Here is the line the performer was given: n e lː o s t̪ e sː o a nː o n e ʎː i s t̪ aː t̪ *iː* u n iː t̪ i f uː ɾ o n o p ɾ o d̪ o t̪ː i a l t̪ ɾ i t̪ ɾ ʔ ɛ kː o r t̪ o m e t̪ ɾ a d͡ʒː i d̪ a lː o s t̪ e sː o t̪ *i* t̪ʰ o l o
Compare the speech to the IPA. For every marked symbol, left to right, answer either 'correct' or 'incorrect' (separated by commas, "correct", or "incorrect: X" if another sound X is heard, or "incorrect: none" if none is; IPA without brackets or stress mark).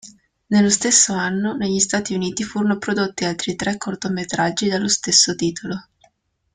incorrect: i, incorrect: iː